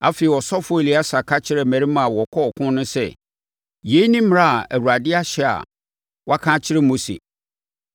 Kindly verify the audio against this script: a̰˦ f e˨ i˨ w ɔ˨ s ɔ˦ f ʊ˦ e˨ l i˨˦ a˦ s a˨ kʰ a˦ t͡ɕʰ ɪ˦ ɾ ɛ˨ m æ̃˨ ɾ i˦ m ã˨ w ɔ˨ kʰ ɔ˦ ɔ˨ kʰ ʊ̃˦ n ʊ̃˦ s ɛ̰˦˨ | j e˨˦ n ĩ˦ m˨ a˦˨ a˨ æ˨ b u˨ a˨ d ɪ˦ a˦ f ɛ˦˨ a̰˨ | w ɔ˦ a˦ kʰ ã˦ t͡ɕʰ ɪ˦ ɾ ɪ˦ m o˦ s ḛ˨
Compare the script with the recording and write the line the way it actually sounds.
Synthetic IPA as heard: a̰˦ f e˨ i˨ w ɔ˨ s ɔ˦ f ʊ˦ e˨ l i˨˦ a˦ s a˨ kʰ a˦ t͡ɕʰ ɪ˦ ɾ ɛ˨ m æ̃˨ ɾ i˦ m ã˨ w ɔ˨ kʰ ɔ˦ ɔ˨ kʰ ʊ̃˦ n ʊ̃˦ s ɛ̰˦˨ | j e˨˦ n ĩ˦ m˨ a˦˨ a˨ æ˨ w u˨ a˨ d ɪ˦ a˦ ɕ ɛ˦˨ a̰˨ | w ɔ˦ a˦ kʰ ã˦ t͡ɕʰ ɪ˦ ɾ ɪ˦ m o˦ s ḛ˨